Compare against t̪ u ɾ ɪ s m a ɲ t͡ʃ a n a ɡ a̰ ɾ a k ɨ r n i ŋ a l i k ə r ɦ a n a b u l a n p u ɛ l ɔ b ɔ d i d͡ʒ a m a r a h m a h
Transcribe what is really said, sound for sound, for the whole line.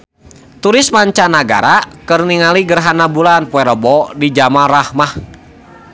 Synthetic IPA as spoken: t̪ u ɾ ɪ s m a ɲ t͡ʃ a n a ɡ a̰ ɾ a k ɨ r n i ŋ a l i ɡ ə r ɦ a n a b u l a n p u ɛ ɾ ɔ b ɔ d i d͡ʒ a m a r a h m a h